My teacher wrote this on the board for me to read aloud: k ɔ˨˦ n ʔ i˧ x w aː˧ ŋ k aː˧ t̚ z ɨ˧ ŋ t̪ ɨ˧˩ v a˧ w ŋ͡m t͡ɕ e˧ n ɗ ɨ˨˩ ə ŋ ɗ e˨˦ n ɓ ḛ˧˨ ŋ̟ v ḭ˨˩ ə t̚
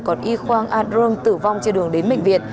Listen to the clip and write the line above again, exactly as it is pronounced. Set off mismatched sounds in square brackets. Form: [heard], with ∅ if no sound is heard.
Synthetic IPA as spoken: k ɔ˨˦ n ʔ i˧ x w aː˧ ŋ [ʔ] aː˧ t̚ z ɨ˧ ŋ t̪ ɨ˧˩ v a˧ w ŋ͡m t͡ɕ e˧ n ɗ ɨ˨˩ ə ŋ ɗ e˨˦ n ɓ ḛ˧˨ ŋ̟ v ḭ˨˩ ə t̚

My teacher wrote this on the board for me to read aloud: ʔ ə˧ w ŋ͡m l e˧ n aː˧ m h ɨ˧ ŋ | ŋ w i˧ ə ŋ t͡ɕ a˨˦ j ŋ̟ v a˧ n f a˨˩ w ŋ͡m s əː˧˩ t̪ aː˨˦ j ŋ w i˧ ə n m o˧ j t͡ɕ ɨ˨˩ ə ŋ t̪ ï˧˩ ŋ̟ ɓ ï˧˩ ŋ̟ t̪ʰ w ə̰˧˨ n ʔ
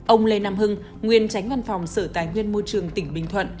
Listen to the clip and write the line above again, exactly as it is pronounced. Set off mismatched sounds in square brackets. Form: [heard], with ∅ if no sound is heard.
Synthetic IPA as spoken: ʔ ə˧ w ŋ͡m l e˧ n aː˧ m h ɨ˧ ŋ | ŋ w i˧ ə [n] t͡ɕ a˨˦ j ŋ̟ v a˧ n f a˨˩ w ŋ͡m s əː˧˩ t̪ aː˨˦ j ŋ w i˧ ə n m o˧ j t͡ɕ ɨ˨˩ ə ŋ t̪ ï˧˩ ŋ̟ ɓ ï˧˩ ŋ̟ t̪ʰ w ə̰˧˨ n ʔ

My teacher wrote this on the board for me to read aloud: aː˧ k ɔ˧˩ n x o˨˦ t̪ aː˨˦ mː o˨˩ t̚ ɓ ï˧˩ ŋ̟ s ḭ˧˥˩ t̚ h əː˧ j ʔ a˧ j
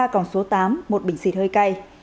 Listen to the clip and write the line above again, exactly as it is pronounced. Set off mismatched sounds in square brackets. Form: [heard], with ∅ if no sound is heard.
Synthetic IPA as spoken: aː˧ k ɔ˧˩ n [s] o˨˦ t̪ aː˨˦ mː o˨˩ t̚ ɓ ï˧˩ ŋ̟ s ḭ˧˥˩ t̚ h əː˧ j [k] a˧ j

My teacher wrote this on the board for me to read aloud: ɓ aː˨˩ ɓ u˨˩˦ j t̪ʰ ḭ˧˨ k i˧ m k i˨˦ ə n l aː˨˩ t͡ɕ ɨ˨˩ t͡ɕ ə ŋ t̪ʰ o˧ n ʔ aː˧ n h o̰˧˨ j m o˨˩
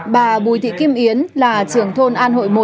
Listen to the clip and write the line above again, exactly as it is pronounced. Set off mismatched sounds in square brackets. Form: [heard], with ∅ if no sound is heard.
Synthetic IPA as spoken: ɓ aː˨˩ ɓ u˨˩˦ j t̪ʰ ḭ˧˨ k i˧ m [ʔ] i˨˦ ə n l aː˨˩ t͡ɕ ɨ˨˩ [∅] ə ŋ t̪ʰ o˧ n ʔ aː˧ n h o̰˧˨ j m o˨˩

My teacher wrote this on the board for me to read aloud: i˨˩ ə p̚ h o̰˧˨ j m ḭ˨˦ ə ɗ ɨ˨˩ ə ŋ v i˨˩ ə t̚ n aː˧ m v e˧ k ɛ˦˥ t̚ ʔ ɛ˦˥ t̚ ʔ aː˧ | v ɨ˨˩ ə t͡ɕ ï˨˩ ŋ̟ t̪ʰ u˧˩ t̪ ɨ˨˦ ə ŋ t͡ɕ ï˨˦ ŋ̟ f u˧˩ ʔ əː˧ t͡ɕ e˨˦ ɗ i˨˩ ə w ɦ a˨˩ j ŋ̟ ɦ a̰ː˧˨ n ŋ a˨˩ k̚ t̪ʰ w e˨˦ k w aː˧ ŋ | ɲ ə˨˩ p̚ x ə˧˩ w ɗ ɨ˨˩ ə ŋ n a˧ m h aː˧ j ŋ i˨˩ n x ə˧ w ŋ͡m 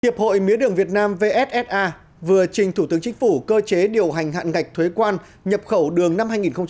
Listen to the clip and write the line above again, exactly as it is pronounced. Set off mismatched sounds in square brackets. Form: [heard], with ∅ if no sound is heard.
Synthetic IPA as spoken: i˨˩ ə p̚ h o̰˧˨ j m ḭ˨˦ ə ɗ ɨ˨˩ ə ŋ v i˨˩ ə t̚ n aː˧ m v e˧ [ʔ] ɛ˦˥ t̚ ʔ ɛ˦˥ t̚ ʔ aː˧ | v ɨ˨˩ ə t͡ɕ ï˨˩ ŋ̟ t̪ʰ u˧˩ t̪ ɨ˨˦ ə ŋ t͡ɕ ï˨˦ ŋ̟ f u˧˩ [k] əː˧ t͡ɕ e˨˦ ɗ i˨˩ ə w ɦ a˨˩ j ŋ̟ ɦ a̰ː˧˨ n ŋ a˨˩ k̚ t̪ʰ w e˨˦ k w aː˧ [n] | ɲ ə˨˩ p̚ x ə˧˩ w ɗ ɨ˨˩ ə ŋ n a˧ m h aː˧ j ŋ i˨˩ n x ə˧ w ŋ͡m

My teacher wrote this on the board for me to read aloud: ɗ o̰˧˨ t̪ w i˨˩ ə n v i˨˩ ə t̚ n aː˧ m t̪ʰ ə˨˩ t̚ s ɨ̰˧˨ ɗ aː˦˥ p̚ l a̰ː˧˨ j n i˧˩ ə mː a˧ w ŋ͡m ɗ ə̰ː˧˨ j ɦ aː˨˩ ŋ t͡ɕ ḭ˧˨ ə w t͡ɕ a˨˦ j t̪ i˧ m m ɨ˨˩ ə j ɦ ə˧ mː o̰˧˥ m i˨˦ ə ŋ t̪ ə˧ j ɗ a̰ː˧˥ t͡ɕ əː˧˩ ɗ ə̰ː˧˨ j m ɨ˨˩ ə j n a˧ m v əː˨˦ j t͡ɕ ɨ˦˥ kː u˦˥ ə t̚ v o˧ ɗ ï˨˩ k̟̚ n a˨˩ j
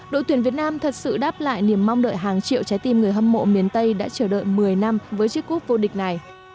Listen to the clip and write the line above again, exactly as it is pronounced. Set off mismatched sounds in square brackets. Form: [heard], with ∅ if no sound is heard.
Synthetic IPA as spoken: ɗ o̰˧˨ t̪ w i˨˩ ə n v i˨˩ ə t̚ n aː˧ m t̪ʰ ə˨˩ t̚ s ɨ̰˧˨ ɗ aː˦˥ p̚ l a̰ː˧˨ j n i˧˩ ə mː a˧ w ŋ͡m ɗ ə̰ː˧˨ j ɦ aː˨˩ ŋ t͡ɕ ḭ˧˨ ə w t͡ɕ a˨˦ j t̪ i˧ m [ŋ] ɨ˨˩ ə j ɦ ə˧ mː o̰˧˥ m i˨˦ ə [n] t̪ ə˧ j ɗ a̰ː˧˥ t͡ɕ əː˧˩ ɗ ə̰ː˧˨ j m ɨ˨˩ ə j n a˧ m v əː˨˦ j t͡ɕ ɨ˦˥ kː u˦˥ ə [k̚] v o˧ ɗ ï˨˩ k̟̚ n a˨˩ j

